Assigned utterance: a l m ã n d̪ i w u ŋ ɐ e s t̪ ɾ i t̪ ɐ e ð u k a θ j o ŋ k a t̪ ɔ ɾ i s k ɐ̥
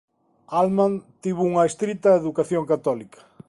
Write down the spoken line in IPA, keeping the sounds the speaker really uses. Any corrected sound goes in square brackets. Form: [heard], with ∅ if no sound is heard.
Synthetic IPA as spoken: a l m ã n [t̪] i [β] u ŋ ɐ e s t̪ ɾ i t̪ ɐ e ð u k a θ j o ŋ k a t̪ ɔ [l] i [∅] k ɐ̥